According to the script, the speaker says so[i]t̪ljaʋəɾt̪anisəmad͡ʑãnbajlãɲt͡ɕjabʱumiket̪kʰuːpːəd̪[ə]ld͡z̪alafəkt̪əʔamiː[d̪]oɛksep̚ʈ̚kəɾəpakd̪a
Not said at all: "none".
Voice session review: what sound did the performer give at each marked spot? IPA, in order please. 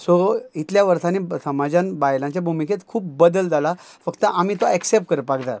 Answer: i, ə, t̪

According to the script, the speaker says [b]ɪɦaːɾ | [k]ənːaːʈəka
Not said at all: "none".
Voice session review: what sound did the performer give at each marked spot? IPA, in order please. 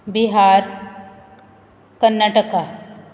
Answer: b, k

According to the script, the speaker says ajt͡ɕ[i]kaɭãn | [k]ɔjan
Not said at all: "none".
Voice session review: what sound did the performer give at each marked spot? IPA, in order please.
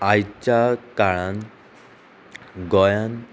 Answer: a, ɡ

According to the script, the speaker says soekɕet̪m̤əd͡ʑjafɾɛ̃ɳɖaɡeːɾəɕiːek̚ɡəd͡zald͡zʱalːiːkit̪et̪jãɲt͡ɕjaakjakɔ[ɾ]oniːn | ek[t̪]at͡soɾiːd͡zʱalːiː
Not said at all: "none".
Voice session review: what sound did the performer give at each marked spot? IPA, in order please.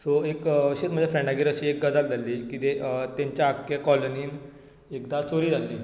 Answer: l, d̪

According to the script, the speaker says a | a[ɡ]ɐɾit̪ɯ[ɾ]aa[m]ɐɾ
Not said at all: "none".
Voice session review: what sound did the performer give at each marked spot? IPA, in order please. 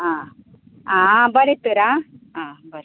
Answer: b, ɾ, b

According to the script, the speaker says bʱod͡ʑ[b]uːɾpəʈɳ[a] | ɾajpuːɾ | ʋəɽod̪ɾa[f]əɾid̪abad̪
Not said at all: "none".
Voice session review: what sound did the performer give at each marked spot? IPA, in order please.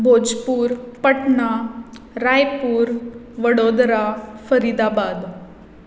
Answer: p, a, f

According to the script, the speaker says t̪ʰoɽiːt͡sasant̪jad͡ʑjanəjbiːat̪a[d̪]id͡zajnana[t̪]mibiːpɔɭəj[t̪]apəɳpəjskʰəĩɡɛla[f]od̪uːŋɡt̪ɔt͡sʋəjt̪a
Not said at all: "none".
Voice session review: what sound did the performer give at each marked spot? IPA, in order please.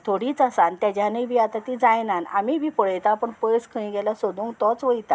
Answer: t̪, none, t̪, s

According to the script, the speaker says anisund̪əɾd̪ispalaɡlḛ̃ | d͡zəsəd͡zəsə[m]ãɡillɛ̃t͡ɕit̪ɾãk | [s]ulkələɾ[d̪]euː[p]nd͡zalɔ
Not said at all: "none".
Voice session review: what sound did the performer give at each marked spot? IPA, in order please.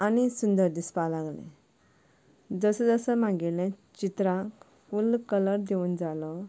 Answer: m, f, d̪, none

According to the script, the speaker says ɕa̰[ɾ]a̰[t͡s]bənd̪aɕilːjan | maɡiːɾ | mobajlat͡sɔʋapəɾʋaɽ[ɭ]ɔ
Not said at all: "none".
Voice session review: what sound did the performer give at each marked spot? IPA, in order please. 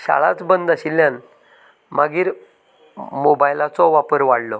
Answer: ɭ, t͡s, l

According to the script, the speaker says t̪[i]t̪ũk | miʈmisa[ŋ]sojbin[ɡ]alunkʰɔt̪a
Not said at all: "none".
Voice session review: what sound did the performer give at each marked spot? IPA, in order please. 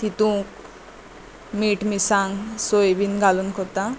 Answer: i, ŋ, ɡ

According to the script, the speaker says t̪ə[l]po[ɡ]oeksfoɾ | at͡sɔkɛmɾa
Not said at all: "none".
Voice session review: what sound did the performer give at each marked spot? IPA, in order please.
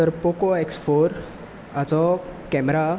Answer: ɾ, k

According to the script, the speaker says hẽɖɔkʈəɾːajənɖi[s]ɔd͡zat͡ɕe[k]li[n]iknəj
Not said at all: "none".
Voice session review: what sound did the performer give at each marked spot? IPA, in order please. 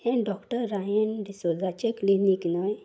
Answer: s, k, n

